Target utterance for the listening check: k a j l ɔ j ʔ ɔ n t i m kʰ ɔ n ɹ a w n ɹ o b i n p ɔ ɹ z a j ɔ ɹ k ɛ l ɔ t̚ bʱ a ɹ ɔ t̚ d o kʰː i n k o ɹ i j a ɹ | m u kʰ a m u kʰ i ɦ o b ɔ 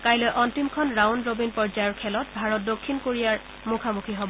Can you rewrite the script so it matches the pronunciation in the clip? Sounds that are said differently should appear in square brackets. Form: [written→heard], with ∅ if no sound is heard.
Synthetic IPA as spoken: k a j l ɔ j ʔ ɔ n t i m kʰ ɔ n ɹ a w n ɹ o b i n p ɔ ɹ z a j ɔ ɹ [k→kʰ] ɛ l ɔ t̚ bʱ a ɹ ɔ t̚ d o kʰː i n k o ɹ i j a ɹ | m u kʰ a m u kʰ i ɦ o b ɔ